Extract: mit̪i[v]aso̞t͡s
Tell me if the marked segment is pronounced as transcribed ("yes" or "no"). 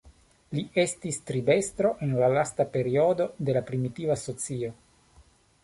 yes